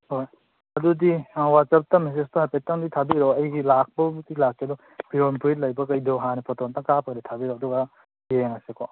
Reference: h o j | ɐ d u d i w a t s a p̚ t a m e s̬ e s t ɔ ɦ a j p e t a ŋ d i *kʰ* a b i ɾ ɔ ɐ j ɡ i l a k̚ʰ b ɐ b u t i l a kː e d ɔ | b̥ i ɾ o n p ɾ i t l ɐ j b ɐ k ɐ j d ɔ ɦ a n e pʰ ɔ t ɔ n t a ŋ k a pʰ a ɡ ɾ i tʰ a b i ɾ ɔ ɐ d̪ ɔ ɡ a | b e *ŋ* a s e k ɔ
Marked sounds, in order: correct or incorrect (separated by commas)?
incorrect, correct